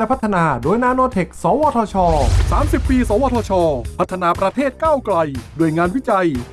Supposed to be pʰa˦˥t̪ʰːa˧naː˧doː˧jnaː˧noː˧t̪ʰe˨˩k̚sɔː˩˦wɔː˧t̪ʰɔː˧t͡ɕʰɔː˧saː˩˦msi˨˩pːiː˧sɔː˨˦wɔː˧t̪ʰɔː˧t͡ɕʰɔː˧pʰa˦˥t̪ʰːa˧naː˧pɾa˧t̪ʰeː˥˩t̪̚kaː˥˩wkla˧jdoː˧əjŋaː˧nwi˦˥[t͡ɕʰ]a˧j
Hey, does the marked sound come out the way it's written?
no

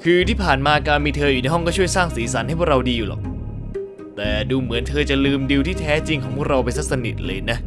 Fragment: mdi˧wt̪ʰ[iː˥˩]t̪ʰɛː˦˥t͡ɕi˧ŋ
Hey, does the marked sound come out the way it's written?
yes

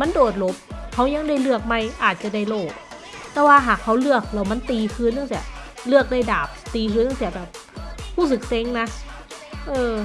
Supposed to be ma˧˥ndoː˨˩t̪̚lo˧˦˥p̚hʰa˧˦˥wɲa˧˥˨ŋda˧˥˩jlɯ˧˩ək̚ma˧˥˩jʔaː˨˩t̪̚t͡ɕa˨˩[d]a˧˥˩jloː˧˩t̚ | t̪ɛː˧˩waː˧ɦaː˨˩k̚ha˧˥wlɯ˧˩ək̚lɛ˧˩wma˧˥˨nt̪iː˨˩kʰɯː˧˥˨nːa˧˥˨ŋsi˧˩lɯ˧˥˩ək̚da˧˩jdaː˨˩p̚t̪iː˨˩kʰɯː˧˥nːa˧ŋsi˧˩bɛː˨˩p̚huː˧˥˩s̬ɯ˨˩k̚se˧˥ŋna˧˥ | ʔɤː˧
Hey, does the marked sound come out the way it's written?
yes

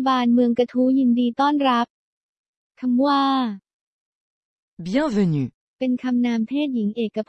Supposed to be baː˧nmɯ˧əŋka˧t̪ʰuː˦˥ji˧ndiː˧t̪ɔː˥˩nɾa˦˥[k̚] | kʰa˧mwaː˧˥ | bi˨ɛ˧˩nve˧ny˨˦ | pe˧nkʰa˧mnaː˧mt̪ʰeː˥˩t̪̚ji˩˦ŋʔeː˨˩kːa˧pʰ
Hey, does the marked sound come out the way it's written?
no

